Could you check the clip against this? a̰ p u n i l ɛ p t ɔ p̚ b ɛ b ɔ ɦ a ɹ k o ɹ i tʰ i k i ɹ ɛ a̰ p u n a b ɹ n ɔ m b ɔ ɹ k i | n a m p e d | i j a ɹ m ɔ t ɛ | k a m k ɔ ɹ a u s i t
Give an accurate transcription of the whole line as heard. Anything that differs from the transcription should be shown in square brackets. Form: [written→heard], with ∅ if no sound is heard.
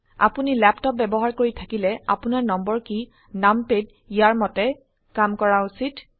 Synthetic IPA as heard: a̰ p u n i l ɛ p t ɔ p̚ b ɛ b ɔ ɦ a ɹ k o ɹ i tʰ [i→a] k i [ɹ→l] ɛ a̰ p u n a [b→∅] ɹ n ɔ m b ɔ ɹ k i | n a m p e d | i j a ɹ m ɔ t ɛ | k a m k ɔ ɹ a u s i t